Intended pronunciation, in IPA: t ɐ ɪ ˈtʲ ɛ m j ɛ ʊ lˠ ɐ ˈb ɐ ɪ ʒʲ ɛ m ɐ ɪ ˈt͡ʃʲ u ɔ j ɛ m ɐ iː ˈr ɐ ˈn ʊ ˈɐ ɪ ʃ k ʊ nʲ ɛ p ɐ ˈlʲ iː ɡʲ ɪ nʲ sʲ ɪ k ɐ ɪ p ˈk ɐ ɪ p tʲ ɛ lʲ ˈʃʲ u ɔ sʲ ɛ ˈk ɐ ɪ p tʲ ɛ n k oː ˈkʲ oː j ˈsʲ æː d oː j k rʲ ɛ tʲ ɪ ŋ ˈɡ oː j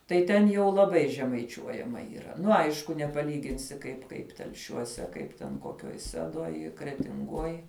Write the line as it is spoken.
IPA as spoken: t ɐ ɪ ˈtʲ ɛ n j ɛ ʊ lˠ ɐ ˈb ɐ ɪ ʒʲ ɛ m ɐ ɪ ˈt͡ʃʲ u ɔ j ɛ m ɐ iː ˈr ɐ ˈn ʊ ˈɐ ɪ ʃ k ʊ nʲ ɛ p ɐ ˈlʲ iː ɡʲ ɪ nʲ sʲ ɪ k ɐ ɪ p ˈk ɐ ɪ p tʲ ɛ lʲ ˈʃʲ u ɔ sʲ ɛ ˈk ɐ ɪ p tʲ ɛ n k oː ˈkʲ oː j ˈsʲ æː d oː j k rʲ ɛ tʲ ɪ ŋ ˈɡ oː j